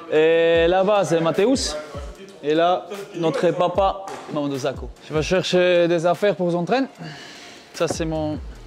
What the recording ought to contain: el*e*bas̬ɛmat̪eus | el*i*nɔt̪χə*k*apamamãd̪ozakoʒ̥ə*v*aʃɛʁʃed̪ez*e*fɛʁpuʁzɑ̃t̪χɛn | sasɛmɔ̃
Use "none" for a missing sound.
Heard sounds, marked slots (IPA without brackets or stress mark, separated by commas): a, a, p, v, a